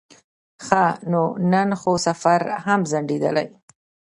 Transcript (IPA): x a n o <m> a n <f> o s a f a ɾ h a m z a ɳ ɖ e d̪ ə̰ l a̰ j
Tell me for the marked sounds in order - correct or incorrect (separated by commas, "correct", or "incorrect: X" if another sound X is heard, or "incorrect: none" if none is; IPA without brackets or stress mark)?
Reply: incorrect: n, incorrect: x